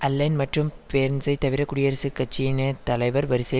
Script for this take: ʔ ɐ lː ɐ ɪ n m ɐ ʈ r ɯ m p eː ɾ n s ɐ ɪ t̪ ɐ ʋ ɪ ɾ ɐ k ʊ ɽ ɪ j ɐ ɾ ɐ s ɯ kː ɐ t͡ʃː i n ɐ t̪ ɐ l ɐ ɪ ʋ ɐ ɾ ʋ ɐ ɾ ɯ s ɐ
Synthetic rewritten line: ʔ ɐ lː ɐ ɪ n m ɐ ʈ r ɯ m p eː ɾ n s ɐ ɪ t̪ ɐ ʋ ɪ ɾ ɐ k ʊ ɽ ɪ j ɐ ɾ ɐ s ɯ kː ɐ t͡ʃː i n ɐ t̪ ɐ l ɐ ɪ ʋ ɐ ɾ ʋ ɐ ɾ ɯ s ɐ